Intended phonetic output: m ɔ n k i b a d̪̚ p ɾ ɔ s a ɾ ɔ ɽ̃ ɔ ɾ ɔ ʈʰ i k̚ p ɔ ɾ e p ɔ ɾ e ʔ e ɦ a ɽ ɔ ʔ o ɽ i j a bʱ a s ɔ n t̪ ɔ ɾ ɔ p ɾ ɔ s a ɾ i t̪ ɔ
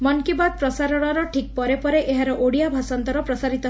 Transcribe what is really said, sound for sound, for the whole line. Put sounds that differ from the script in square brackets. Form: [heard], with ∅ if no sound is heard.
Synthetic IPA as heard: m ɔ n k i b a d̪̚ p ɾ ɔ s a ɾ ɔ ɽ̃ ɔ ɾ ɔ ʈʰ i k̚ p ɔ ɾ e p ɔ ɾ e ʔ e ɦ a [ɾ] ɔ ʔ o ɽ i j a bʱ a s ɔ n t̪ ɔ ɾ ɔ p ɾ ɔ s a ɾ i t̪ ɔ